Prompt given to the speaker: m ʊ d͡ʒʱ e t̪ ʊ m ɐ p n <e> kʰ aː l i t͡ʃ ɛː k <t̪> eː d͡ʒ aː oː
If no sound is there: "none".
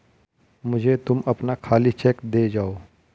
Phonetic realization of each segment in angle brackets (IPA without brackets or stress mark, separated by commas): a, d̪